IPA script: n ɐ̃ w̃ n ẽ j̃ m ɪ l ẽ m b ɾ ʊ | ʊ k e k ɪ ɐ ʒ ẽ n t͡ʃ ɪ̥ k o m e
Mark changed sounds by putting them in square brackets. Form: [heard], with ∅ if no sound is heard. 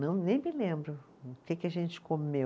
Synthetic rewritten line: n ɐ̃ w̃ n ẽ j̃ m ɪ l ẽ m b ɾ ʊ | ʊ k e k ɪ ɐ ʒ ẽ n t͡ʃ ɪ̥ k o m e